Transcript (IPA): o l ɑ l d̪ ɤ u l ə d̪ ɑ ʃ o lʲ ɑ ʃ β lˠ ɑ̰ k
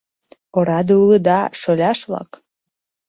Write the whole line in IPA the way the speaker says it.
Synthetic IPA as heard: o ɾ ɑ d̪ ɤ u l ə d̪ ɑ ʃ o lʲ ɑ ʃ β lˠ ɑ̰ k